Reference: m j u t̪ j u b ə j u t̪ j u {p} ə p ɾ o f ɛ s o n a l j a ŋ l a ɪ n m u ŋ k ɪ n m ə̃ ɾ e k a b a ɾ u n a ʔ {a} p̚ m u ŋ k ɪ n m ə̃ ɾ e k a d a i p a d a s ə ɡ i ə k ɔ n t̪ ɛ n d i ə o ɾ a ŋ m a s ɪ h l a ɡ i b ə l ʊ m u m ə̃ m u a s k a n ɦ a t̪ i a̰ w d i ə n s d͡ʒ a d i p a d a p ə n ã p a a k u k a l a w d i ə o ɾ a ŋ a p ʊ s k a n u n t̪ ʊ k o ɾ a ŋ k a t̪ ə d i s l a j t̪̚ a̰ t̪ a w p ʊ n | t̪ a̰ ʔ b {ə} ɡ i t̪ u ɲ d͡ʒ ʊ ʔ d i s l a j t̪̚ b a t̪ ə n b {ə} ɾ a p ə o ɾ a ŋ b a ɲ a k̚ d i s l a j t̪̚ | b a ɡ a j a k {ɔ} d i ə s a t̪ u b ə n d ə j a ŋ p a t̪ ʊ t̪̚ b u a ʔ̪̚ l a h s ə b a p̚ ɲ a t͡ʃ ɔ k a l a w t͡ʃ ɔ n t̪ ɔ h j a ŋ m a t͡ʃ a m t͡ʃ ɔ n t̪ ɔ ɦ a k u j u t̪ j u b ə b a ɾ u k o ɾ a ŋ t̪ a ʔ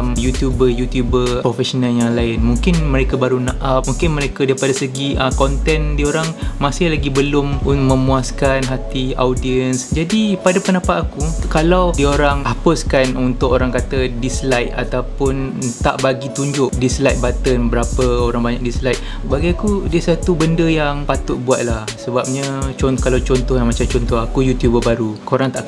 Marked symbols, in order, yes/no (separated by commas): no, yes, no, yes, no